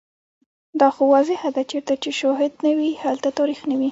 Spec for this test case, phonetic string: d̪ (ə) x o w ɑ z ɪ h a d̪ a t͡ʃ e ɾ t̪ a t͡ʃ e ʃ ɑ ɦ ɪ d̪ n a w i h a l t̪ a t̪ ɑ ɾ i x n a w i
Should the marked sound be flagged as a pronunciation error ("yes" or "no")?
yes